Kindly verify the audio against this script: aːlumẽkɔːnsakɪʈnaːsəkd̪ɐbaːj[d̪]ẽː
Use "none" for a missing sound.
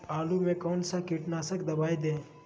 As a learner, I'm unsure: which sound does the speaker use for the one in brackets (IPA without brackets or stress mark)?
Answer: d̪